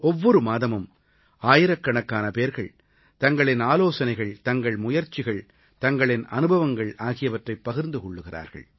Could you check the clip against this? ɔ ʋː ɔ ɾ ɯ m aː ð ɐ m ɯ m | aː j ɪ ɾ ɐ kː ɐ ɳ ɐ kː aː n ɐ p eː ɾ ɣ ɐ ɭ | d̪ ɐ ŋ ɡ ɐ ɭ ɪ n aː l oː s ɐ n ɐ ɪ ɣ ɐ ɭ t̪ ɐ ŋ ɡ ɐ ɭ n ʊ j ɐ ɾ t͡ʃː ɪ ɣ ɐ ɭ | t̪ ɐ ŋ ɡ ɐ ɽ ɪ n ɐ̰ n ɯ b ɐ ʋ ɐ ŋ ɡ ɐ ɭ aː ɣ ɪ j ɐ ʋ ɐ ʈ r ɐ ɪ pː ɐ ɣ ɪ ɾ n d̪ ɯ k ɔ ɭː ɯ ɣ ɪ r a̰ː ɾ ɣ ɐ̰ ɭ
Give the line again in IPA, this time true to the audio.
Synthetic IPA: ɔ ʋː ɔ ɾ ɯ m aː ð ɐ m ɯ m | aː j ɪ ɾ ɐ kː ɐ ɳ ɐ kː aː n ɐ p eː ɾ ɣ ɐ ɭ | t̪ ɐ ŋ ɡ ɐ ɭ ɪ n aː l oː s ɐ n ɐ ɪ ɣ ɐ ɭ t̪ ɐ ŋ ɡ ɐ ɭ m ʊ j ɐ ɾ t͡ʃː ɪ ɣ ɐ ɭ | t̪ ɐ ŋ ɡ ɐ ɭ ɪ n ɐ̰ n ɯ b ɐ ʋ ɐ ŋ ɡ ɐ ɭ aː ɣ ɪ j ɐ ʋ ɐ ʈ r ɐ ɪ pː ɐ ɣ ɪ ɾ n d̪ ɯ k ɔ ɭː ɯ ɣ ɪ r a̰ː ɾ ɣ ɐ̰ ɭ